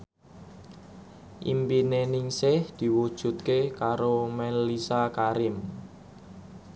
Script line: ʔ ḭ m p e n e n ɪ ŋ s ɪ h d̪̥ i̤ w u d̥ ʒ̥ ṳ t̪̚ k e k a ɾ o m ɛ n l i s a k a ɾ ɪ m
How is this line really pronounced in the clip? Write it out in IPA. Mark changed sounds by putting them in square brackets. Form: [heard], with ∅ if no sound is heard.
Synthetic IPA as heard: ʔ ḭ m p [i] n e n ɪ ŋ s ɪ h d̪̥ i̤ w u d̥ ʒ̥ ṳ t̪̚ k e k a ɾ o m ɛ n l i s a k a ɾ ɪ m